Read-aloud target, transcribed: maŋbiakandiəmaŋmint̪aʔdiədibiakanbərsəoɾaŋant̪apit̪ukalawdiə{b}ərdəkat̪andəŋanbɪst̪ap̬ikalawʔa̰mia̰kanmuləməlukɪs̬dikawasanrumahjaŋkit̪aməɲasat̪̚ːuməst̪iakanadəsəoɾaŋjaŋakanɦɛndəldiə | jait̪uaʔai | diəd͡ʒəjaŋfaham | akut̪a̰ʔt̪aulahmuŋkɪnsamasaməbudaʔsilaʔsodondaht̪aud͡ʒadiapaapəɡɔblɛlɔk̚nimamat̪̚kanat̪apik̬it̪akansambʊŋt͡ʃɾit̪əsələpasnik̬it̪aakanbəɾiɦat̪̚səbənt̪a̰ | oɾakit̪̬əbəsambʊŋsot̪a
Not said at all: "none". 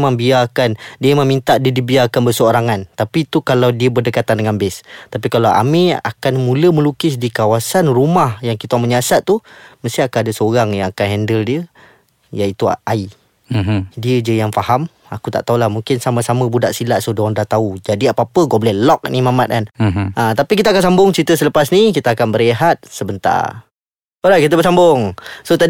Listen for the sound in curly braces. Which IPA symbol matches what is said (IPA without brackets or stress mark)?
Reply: b